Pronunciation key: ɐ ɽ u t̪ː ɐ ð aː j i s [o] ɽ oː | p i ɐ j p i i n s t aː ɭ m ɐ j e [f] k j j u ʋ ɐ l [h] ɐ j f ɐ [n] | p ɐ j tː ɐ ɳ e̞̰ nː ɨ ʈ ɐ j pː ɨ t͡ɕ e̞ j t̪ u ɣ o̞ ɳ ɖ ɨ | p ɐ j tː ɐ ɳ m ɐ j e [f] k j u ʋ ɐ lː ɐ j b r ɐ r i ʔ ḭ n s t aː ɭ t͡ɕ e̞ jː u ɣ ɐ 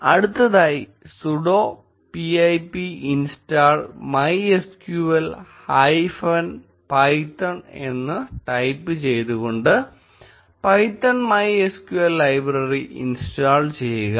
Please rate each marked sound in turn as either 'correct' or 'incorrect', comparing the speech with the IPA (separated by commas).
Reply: incorrect, incorrect, correct, correct, incorrect